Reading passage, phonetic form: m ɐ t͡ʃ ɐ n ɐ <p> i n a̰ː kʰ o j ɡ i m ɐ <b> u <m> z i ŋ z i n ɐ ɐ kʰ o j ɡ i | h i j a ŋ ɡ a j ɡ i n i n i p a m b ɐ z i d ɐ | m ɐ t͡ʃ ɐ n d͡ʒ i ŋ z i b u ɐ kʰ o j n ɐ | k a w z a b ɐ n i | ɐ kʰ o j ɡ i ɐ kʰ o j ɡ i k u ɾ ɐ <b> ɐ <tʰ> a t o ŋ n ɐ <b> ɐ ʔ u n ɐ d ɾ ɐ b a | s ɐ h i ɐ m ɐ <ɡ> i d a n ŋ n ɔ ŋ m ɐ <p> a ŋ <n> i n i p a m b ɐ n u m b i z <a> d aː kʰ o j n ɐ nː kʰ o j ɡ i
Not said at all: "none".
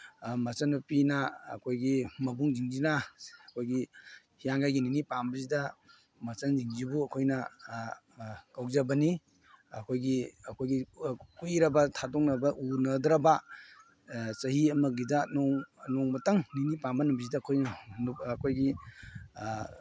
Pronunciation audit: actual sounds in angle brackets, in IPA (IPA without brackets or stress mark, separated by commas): p, b, ŋ, b, tʰ, b, ɡ, t, n, i